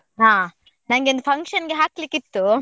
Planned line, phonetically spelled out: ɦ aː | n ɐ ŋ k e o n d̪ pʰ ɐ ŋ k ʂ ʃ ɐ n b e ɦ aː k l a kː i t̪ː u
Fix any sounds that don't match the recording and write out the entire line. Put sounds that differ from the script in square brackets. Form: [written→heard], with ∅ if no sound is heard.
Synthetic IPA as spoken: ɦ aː | n ɐ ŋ [k→ɡ] e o n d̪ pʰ ɐ ŋ k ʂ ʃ ɐ n [b→ɡ] e ɦ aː k l [a→i] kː i t̪ː u